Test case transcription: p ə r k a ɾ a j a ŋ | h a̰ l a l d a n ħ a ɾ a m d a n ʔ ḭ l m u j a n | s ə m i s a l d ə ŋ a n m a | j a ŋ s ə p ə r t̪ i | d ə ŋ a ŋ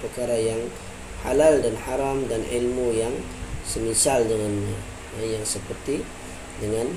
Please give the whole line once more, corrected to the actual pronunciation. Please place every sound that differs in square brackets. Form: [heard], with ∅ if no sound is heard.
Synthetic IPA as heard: p ə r k a ɾ a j a ŋ | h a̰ l a l d a n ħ a ɾ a m d a n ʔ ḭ l m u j a [ŋ] | s ə m i s a l d ə ŋ a n [ɲ] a | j a ŋ s ə p ə r t̪ i | d ə ŋ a [n]